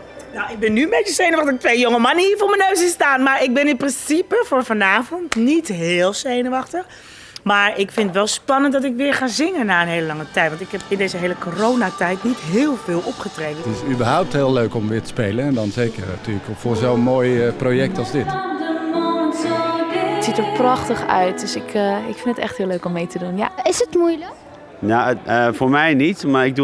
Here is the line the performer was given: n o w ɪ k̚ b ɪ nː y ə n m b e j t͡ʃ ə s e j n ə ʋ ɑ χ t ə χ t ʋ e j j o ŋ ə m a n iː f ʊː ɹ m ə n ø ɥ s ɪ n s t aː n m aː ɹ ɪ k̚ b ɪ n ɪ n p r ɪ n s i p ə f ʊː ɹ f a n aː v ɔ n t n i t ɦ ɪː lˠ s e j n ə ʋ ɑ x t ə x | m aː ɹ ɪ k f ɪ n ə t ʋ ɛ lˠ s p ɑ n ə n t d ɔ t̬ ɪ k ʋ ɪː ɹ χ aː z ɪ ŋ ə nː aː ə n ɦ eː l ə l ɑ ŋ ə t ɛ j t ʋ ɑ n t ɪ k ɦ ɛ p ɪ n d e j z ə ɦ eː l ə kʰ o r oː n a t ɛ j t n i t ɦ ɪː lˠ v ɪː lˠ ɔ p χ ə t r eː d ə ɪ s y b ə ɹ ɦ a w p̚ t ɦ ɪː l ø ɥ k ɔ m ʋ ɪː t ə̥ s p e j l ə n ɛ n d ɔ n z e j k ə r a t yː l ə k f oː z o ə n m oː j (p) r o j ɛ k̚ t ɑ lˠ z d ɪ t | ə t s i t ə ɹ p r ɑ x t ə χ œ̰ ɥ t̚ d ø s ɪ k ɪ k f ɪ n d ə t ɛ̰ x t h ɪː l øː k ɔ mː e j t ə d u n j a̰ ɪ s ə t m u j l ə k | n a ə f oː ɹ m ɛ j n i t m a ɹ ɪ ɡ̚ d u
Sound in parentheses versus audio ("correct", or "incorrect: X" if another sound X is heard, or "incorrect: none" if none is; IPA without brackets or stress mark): correct